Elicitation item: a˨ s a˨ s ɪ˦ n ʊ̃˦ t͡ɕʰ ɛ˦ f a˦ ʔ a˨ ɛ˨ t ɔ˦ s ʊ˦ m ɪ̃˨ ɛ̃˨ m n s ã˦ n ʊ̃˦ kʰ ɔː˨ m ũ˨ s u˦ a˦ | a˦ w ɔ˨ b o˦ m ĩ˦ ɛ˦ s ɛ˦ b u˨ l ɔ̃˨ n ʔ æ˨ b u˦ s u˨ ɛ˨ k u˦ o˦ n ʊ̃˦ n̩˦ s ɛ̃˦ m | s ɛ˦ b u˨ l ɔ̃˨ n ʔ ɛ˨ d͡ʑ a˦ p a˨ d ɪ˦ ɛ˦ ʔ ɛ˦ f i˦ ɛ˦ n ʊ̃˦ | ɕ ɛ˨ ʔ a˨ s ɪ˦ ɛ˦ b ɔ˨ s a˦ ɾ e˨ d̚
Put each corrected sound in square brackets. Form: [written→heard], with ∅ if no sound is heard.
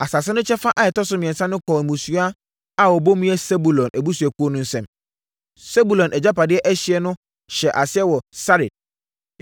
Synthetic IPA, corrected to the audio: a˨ s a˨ s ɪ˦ n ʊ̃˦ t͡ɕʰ ɛ˦ f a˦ ʔ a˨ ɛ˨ t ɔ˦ s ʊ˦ m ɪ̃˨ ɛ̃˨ [m→∅] n s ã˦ n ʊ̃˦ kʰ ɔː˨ m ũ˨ s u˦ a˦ | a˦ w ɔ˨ b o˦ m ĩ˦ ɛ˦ s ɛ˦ b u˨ l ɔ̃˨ n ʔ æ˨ b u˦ s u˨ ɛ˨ k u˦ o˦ n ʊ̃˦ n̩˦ s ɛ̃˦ m | s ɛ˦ b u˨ l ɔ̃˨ n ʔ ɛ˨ d͡ʑ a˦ p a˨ d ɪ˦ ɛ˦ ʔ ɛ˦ [f→ɕ] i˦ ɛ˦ n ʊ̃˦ | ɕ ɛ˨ ʔ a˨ s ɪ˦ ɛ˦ [b→w] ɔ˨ s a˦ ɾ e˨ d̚